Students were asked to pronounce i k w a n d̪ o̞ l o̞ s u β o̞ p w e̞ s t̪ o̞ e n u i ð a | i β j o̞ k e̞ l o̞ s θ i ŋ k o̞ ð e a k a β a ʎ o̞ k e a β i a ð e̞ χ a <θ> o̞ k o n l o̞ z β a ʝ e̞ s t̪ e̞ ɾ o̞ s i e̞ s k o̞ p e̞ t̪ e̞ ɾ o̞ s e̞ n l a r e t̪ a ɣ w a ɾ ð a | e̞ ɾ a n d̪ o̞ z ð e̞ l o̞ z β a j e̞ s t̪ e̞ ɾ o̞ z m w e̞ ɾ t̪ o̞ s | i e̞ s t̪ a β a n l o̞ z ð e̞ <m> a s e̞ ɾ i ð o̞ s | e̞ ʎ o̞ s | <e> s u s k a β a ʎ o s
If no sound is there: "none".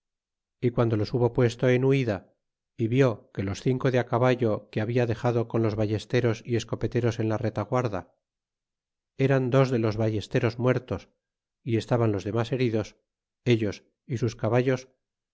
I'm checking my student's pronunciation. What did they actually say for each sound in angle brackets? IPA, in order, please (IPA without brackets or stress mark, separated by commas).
ð, m, i